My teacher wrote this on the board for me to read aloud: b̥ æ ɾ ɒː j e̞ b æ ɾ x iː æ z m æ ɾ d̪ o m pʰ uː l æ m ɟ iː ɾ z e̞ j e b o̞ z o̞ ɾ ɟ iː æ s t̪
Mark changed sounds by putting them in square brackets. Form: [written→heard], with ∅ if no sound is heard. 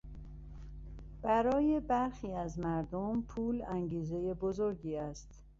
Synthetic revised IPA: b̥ æ ɾ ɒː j e̞ b æ ɾ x iː æ z m æ ɾ d̪ o m pʰ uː l æ [m→ŋ] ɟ iː [ɾ→∅] z e̞ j e b o̞ z o̞ ɾ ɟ iː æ s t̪

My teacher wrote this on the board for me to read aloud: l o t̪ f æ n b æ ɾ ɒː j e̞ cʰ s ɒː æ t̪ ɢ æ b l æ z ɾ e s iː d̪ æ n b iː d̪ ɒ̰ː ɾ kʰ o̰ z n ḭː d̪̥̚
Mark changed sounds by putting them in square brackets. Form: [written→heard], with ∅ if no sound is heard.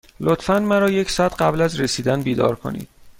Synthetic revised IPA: l o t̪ f æ n [b→m] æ ɾ ɒː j e̞ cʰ s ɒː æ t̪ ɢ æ b l æ z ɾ e s iː d̪ æ n b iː d̪ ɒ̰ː ɾ kʰ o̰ [z→∅] n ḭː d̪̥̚

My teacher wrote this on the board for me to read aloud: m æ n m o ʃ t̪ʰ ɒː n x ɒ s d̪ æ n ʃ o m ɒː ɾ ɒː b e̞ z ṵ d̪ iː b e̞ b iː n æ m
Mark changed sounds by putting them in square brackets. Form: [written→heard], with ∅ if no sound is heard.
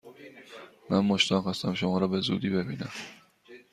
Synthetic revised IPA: m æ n m o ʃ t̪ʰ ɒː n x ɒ s [d̪→t̪] æ [n→m] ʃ o m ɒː ɾ ɒː b e̞ z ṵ d̪ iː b e̞ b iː n æ m

